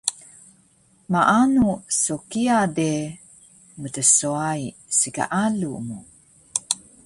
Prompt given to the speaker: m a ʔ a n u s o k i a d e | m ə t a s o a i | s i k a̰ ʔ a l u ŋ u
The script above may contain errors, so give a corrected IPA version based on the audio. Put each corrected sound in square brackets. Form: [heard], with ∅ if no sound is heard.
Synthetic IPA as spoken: m a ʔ a n u s o k i a d e | m ə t [ə] s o a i | s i k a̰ ʔ a l u [m] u